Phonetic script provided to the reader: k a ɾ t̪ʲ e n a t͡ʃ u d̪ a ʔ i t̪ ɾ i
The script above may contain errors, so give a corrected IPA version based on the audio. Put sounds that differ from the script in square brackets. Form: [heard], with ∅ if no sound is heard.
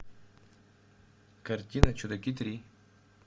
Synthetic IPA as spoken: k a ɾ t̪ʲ [i] n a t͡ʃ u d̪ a [k] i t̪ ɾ i